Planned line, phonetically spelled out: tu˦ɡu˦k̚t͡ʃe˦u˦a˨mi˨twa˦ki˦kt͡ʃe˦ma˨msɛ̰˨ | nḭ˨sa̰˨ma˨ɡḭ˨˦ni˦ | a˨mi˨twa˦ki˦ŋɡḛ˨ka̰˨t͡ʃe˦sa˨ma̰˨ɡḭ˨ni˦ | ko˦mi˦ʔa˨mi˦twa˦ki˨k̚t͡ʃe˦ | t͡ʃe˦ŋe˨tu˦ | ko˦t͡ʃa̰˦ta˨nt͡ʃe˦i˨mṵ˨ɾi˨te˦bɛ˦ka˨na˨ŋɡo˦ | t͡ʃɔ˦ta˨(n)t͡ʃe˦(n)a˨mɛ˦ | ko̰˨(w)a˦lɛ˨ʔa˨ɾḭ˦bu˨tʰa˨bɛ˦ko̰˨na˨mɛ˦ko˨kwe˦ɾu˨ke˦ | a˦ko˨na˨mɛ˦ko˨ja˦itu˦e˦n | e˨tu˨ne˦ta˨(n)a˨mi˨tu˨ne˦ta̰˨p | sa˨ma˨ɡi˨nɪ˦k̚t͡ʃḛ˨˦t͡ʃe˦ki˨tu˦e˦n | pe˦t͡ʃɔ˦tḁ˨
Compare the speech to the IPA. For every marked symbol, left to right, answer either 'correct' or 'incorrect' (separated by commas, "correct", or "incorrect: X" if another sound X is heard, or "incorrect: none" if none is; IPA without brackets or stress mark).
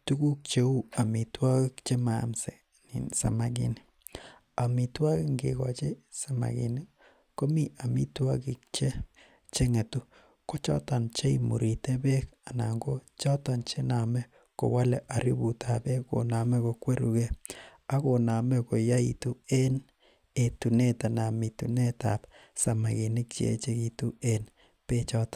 correct, correct, correct, correct